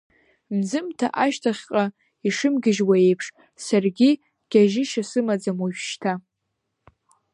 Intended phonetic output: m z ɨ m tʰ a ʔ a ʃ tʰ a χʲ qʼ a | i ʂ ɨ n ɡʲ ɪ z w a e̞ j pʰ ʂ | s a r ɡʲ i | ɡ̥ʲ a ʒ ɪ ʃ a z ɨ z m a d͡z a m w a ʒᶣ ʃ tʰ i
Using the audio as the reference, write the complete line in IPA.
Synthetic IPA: m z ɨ m tʰ a ʔ a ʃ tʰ a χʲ qʼ a | i ʂ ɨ m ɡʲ ɪ ʒ w a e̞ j pʰ ʂ | s a r ɡʲ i | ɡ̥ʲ a ʒ ɪ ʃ a s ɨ m a d͡z a m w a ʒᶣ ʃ tʰ a